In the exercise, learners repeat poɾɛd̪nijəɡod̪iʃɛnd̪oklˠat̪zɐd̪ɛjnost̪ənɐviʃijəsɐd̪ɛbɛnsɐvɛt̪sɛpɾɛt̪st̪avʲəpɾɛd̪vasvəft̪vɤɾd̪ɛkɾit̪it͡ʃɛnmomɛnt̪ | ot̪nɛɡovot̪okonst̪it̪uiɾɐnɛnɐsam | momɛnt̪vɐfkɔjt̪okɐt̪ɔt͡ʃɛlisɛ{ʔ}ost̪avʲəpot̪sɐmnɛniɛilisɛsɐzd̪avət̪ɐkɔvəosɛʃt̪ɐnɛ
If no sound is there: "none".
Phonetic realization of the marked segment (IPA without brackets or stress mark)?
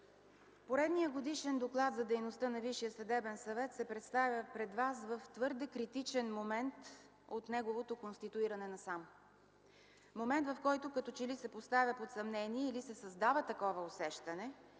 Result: p